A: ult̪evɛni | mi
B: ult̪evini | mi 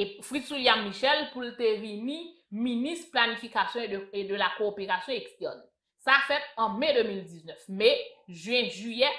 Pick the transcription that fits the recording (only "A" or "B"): B